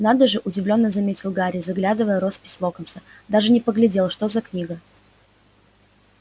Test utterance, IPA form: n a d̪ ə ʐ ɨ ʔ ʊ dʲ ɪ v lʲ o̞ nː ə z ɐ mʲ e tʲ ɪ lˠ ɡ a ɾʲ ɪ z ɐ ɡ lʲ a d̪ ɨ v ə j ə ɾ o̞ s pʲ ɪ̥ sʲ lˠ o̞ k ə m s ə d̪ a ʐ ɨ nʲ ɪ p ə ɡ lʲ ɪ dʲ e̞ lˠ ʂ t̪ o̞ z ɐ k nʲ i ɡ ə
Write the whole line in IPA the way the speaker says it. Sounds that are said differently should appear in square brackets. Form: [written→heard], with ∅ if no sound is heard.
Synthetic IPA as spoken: n a d̪ ə ʐ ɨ ʔ ʊ dʲ ɪ v lʲ o̞ nː ə z ɐ mʲ e tʲ ɪ lˠ ɡ a ɾʲ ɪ z ɐ ɡ lʲ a d̪ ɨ v ə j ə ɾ o̞ s pʲ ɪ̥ sʲ lˠ o̞ k ə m s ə d̪ a ʐ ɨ nʲ ɪ p ə ɡ lʲ ɪ dʲ e̞ lˠ ʂ t̪ o̞ z ɐ k nʲ i ɡ ə